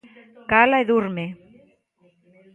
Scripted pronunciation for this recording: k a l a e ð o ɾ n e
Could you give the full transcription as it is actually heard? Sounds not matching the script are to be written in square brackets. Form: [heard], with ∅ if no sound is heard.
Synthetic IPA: k a l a e ð [u] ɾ [m] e